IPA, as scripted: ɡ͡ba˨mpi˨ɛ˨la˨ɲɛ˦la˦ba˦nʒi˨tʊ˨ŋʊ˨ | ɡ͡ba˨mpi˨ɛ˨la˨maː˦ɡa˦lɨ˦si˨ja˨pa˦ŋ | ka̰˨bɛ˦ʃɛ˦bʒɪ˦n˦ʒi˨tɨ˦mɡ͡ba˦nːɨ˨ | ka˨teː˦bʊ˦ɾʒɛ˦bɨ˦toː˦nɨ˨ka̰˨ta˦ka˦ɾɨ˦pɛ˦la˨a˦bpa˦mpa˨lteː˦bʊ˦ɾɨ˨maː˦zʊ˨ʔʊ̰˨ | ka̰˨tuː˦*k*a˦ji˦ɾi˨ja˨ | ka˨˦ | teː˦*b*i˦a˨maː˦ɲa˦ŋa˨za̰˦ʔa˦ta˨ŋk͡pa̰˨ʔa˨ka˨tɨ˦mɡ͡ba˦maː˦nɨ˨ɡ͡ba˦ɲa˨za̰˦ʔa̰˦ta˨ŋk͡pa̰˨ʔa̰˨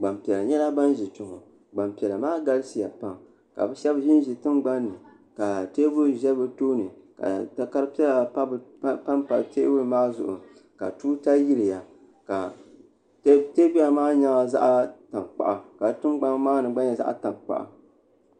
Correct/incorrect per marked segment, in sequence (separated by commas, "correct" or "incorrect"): incorrect, correct